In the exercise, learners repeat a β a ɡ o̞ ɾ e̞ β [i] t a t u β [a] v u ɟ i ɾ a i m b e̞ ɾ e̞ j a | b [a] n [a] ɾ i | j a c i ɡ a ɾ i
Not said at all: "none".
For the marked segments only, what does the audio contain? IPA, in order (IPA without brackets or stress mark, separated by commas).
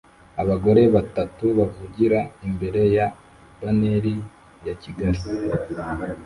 a, a, a, e